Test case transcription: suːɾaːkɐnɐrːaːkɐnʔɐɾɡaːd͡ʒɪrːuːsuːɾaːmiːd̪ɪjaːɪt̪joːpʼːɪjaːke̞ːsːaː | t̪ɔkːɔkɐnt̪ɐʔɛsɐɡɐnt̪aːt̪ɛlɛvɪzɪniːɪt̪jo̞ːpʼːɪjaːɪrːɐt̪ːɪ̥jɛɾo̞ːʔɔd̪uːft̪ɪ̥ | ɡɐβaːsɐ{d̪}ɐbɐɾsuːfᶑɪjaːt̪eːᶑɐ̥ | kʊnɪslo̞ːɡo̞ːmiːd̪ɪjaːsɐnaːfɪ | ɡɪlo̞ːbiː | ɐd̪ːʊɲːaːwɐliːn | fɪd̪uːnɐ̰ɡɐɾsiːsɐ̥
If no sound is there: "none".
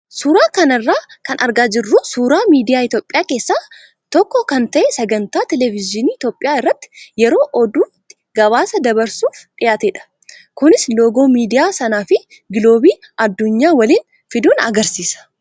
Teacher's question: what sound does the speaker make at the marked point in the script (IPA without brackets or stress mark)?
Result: d̪